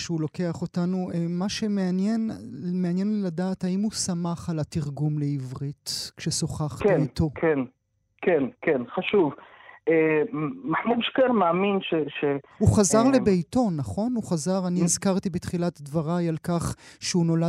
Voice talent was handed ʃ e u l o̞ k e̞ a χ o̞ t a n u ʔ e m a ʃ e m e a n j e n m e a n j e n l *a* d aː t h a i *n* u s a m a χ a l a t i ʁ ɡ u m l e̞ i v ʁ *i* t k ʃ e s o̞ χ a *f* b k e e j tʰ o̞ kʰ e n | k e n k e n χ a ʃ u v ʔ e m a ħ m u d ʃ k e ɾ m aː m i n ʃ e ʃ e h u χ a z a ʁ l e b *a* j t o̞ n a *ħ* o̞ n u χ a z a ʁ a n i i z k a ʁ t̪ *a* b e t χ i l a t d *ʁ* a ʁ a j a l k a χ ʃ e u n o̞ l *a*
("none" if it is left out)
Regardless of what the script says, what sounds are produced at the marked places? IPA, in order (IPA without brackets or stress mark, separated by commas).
a, m, i, χ, e, χ, i, v, a